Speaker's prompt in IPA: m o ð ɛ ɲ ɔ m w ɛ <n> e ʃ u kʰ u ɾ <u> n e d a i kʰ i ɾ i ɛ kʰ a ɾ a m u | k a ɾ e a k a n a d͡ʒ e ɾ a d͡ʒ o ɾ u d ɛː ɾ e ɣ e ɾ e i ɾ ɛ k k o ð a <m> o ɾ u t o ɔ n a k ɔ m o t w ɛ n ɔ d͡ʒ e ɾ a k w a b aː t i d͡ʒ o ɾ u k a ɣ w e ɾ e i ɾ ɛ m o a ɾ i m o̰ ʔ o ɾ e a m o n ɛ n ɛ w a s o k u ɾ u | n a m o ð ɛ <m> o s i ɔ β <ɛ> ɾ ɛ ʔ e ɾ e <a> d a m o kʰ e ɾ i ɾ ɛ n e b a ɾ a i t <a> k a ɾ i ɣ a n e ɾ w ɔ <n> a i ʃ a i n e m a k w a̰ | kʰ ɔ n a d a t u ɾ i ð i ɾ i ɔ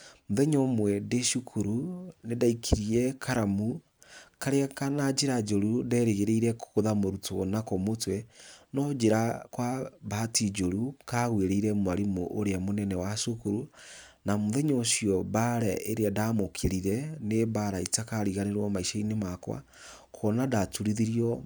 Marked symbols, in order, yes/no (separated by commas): no, yes, yes, no, no, yes, yes, no